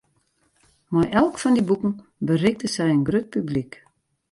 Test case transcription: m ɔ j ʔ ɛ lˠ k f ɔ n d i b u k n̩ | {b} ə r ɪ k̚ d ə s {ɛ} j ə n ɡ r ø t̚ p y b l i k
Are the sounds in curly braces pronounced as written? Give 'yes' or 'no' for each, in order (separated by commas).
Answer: yes, yes